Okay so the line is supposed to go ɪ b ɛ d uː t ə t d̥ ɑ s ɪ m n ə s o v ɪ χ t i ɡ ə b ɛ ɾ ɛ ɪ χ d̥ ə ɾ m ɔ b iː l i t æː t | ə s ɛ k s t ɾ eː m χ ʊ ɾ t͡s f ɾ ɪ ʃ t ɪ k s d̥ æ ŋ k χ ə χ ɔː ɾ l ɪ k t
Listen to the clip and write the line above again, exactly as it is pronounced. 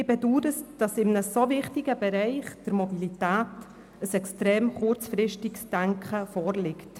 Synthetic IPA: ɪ b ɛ d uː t ə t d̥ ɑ s ɪ m n ə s o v ɪ χ t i ɡ ə b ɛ ɾ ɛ ɪ χ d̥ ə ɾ m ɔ b i l i t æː t | ə s ɛ k s t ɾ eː m χ ʊ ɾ t͡s f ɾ ɪ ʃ t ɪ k s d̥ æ ŋ k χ ə f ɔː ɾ l ɪ k t